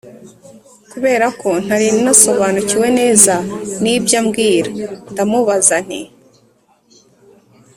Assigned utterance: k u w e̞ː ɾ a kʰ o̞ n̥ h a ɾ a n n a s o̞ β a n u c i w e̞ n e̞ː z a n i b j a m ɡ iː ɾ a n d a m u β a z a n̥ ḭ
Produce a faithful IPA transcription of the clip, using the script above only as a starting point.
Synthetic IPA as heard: k u β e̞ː ɾ a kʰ o̞ n̥ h a ɾ i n n a s o̞ β a n u c i w e̞ n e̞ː z a n i b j a m ɡ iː ɾ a n d a m u β a z a n̥ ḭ